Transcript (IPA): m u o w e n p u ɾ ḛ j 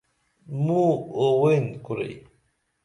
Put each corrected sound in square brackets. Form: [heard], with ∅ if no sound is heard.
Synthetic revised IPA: m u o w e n [k] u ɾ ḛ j